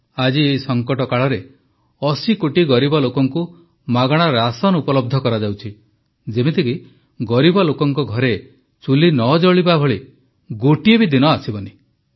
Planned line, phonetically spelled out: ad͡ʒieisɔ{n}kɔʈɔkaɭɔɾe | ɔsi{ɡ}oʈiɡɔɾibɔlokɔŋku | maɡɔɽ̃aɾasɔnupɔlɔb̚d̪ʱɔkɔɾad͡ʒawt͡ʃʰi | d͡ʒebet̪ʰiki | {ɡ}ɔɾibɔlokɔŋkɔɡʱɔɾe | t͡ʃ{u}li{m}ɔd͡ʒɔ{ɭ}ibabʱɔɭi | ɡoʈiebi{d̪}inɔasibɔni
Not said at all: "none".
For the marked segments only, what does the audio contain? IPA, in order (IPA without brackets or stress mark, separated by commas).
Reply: ŋ, k, ɡ, u, n, ɭ, d̪